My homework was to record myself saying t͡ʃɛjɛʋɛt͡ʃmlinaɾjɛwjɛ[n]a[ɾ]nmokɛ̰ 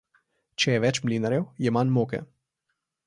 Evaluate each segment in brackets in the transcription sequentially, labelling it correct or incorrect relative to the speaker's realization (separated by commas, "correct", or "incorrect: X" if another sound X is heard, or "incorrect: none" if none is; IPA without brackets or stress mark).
incorrect: m, incorrect: none